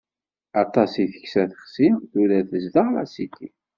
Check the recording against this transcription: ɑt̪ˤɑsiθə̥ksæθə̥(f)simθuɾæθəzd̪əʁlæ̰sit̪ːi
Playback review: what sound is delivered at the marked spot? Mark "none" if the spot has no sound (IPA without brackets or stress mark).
χ